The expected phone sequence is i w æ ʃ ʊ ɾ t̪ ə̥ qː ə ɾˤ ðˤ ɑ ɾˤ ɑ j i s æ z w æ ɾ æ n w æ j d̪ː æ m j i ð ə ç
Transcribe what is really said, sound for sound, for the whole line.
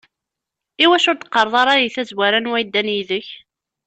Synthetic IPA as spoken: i w æ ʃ ʊ ɾ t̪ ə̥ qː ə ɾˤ ðˤ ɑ ɾˤ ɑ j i θ æ z w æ ɾ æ n w æ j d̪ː æ n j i ð ə ç

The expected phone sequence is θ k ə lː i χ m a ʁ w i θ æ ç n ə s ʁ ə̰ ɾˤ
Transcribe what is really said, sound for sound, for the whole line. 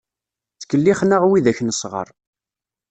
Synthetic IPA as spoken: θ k ə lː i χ n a ʁ w i ð æ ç n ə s ʁ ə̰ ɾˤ

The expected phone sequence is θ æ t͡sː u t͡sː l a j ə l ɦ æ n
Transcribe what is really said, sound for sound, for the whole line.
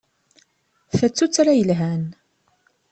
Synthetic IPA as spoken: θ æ t͡sː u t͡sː ɾ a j ə l ɦ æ n

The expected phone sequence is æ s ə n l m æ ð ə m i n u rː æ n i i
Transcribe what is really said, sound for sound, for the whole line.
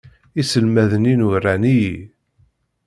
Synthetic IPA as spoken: i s ə l m æ ð ə n i n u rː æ n i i

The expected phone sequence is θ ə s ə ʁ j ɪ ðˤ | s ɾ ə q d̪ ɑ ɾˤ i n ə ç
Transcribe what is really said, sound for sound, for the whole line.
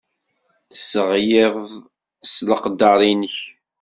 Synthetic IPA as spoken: θ ə s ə ʁ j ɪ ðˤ | s l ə q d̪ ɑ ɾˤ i n ə ç

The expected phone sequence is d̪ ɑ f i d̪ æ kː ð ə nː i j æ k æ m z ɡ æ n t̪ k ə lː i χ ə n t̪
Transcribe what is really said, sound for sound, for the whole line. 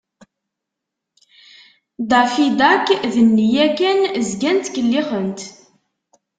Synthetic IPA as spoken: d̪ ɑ f i d̪ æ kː ð ə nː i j æ k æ n z ɡ æ n t̪ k ə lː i χ ə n t̪

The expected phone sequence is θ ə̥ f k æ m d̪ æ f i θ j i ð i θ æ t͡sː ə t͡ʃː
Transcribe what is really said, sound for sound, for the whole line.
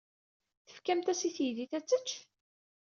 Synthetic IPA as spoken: θ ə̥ f k æ m t̪ æ s i θ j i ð i θ æ t͡sː ə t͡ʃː

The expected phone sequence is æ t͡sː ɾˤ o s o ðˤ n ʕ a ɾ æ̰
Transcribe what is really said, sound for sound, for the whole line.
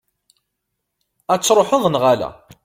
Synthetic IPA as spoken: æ t͡sː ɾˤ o ħ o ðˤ n ʁ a l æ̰

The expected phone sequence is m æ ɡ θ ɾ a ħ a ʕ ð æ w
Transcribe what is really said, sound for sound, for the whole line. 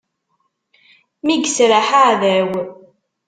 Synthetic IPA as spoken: m i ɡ s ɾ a ħ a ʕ ð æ w

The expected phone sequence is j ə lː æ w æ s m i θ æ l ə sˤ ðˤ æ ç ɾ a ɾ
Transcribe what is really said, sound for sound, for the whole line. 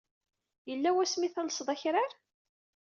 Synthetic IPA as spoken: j ə lː æ w æ s m i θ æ l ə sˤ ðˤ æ ç ɾ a ɾ

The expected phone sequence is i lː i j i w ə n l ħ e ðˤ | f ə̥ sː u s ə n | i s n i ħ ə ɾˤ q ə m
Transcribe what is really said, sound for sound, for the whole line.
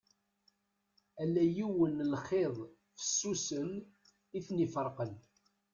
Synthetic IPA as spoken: æ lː æ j i w ə n l χ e ðˤ | f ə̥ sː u s ə n | i θ n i f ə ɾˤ q ə n

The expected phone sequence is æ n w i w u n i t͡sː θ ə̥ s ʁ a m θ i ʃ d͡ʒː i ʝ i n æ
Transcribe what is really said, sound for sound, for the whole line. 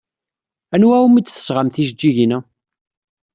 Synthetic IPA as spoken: æ n w æ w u m i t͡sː θ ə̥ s ʁ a m θ i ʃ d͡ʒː i ʝ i n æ

